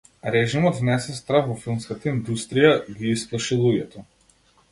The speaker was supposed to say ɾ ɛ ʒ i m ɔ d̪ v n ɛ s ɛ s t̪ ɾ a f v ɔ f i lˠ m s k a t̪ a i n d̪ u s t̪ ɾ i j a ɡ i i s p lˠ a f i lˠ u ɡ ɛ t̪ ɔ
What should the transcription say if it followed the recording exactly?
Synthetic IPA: ɾ ɛ ʒ i m ɔ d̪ v n ɛ s ɛ s t̪ ɾ a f v ɔ f i lˠ m s k a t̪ a i n d̪ u s t̪ ɾ i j a ɡ i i s p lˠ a ʃ i lˠ u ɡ ɛ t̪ ɔ